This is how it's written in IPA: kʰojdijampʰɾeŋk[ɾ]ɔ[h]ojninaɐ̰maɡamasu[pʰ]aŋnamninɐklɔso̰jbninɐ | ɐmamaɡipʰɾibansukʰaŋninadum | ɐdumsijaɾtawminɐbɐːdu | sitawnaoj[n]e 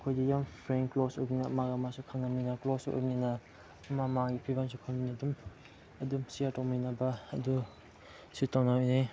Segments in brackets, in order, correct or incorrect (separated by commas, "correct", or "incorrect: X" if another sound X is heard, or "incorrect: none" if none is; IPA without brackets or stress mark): incorrect: l, incorrect: s, incorrect: kʰ, correct